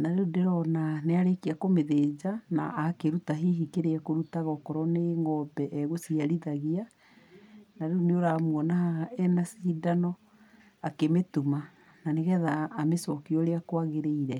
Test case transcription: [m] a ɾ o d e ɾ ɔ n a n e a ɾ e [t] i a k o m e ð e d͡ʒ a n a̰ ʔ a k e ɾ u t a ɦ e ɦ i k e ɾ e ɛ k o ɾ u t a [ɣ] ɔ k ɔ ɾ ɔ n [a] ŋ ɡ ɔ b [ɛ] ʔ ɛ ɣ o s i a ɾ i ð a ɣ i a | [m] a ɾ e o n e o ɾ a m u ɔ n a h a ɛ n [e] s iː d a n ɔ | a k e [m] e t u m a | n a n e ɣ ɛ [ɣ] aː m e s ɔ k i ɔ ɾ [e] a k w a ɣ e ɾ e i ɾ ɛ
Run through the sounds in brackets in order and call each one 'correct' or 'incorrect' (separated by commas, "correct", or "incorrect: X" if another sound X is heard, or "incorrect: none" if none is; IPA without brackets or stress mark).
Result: incorrect: n, incorrect: k, correct, incorrect: e, correct, incorrect: n, incorrect: a, correct, incorrect: ð, correct